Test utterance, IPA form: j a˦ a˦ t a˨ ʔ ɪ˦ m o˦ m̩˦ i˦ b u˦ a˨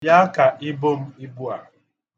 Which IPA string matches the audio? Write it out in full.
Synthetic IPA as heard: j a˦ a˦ k a˨ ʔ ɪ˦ b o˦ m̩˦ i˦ b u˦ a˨

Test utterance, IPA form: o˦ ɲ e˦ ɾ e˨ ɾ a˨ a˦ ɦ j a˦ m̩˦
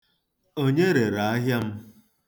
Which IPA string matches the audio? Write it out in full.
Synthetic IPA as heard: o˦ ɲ e˦ ɾ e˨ ɾ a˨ a˦ ɦ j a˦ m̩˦

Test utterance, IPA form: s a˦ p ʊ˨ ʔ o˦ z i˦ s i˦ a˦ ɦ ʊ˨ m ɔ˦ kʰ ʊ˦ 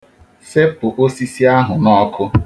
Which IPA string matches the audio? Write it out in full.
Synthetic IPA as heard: s e˦ p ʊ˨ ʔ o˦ s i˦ s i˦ a˦ ɦ ʊ˨ n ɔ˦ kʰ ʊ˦

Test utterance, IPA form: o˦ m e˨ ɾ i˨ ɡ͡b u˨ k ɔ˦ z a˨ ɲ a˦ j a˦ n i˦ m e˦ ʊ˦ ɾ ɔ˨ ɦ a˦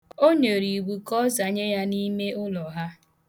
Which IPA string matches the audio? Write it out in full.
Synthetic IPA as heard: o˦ ɲ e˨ ɾ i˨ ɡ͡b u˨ k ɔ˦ z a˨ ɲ e˦ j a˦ n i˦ m e˦ ʊ˦ l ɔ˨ ɦ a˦

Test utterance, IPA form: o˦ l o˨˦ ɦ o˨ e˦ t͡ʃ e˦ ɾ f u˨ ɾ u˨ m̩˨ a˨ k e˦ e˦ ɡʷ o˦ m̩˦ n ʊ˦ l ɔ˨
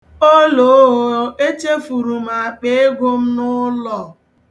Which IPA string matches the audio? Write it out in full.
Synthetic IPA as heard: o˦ l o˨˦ ɦ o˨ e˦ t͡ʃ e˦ f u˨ ɾ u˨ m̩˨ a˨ k͡p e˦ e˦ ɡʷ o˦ m̩˦ n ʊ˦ l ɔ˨

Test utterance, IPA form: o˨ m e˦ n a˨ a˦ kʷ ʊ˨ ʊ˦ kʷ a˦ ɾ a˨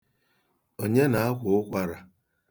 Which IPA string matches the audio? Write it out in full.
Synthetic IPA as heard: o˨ ɲ e˦ n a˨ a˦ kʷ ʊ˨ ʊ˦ kʷ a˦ ɾ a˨

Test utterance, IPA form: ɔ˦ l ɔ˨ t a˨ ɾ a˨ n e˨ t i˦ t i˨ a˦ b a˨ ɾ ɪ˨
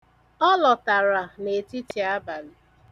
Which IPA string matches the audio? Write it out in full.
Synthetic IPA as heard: ɔ˦ l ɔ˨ t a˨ ɾ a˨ n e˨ t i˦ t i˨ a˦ b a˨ l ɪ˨

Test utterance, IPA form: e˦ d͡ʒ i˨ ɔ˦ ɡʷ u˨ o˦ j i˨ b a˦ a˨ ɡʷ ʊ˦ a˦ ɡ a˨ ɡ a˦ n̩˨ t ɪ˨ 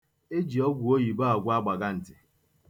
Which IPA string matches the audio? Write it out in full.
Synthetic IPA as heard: e˦ d͡ʒ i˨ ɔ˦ ɡʷ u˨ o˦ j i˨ b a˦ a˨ ɡʷ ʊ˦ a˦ ɡ͡b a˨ ɡ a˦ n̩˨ t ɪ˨

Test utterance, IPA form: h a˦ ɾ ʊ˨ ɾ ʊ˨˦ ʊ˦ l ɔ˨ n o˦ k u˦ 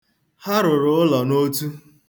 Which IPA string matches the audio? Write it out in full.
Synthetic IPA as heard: h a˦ ɾ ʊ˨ ɾ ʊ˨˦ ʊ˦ l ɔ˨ n o˦ t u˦

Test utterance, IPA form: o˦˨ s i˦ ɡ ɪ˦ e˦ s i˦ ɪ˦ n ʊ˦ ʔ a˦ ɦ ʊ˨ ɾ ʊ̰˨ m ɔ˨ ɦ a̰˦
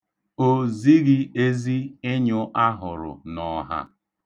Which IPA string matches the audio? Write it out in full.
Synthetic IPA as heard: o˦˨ z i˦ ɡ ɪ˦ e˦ z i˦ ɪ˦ ɲ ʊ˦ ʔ a˦ ɦ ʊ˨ ɾ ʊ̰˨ n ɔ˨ ɦ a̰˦

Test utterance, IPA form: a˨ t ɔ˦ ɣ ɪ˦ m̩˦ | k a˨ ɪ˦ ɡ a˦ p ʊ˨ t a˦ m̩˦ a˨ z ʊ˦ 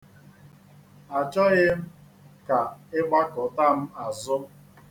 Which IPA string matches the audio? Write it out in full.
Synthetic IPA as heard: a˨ t͡ʃ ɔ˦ ɣ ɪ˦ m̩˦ | k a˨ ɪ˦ ɡ͡b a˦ k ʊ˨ t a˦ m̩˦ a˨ z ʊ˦

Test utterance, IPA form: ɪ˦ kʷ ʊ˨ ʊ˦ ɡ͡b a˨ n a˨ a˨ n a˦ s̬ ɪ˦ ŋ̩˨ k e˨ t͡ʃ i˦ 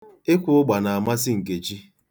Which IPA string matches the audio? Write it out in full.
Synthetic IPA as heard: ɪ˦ kʷ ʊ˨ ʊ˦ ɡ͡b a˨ n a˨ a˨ m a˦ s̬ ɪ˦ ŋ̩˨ k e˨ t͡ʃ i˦

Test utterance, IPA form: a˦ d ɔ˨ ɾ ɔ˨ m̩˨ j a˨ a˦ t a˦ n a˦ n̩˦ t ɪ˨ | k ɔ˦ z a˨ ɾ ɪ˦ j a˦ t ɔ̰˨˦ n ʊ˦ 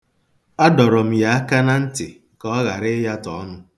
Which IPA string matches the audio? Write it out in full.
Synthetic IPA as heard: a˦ d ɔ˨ ɾ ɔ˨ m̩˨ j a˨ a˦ k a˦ n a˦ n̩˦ t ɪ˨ | k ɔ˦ ɣ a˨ ɾ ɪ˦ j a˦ t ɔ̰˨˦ n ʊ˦

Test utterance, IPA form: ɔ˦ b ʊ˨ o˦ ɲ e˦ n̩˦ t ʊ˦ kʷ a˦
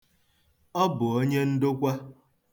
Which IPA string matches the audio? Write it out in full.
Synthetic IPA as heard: ɔ˦ b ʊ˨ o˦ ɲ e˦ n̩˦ d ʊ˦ kʷ a˦

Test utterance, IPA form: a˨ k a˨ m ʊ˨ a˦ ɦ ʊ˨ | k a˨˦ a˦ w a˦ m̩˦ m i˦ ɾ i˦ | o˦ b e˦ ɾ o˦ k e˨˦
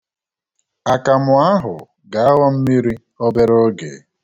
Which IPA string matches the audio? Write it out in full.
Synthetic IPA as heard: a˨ k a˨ m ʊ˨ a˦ ɦ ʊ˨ | ɡ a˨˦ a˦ w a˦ m̩˦ m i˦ ɾ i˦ | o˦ b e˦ ɾ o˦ ɡ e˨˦

